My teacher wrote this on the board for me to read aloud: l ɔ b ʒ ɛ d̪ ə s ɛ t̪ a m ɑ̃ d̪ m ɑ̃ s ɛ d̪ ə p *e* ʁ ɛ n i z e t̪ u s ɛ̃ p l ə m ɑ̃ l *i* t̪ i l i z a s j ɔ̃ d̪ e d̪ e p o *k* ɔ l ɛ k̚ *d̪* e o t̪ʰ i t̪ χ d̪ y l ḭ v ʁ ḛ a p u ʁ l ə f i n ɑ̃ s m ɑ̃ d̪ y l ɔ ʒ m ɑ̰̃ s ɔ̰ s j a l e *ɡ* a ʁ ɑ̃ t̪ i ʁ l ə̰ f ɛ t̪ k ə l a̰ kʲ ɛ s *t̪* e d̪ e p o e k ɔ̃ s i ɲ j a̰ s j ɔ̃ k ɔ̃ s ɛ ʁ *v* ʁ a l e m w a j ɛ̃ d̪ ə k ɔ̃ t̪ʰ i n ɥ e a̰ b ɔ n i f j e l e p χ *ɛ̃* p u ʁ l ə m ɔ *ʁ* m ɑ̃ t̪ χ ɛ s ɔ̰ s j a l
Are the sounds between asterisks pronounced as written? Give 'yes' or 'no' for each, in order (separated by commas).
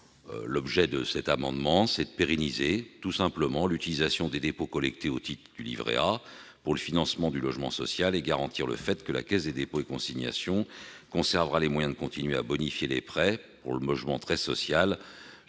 yes, no, yes, no, yes, no, yes, no, no